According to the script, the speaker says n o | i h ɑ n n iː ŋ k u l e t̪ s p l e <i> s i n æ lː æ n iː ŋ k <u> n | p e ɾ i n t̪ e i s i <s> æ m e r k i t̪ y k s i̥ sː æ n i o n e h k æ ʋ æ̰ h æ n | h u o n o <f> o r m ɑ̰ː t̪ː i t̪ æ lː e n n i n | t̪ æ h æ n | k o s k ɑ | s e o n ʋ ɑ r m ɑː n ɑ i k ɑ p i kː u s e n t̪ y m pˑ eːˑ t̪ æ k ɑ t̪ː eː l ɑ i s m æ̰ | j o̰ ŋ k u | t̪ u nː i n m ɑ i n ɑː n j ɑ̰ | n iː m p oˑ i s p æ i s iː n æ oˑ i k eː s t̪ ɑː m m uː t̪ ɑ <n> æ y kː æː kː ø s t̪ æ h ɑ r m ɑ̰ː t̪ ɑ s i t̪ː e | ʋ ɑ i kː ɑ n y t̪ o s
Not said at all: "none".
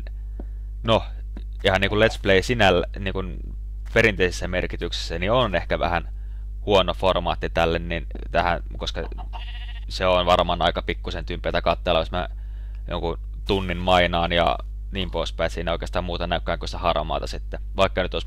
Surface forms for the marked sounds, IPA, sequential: i, u, sː, f, n

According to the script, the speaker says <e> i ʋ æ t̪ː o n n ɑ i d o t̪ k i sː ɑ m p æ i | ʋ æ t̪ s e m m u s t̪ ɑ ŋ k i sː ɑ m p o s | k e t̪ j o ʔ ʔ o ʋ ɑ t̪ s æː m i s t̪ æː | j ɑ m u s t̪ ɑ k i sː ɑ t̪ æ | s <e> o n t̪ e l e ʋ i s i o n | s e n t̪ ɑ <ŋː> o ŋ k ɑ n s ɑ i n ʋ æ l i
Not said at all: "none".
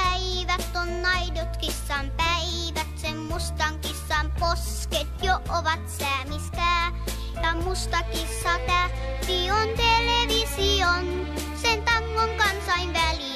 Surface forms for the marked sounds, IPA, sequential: æ, i, ŋː

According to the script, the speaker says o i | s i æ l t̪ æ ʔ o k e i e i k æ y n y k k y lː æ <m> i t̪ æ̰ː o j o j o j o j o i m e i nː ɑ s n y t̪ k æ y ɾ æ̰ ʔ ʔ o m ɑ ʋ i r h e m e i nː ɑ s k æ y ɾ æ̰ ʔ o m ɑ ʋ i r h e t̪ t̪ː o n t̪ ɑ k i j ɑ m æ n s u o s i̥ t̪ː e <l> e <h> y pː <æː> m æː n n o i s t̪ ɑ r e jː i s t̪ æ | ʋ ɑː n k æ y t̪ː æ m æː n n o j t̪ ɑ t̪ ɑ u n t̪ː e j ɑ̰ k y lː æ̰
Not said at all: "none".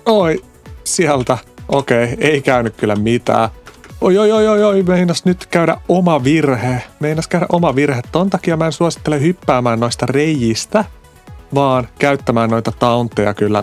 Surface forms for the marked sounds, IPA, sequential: m, l, h, æː

